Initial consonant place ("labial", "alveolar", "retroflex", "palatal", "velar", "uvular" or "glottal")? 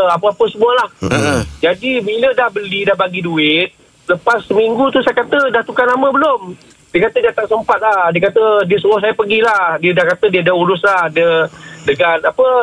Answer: labial